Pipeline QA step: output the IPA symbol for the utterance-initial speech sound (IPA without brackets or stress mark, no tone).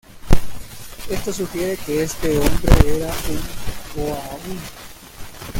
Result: e̞